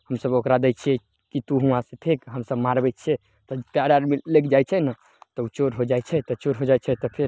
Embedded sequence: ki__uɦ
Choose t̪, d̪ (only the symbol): t̪